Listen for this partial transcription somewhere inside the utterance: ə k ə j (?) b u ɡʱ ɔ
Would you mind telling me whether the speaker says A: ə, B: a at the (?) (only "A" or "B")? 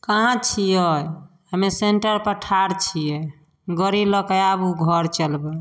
B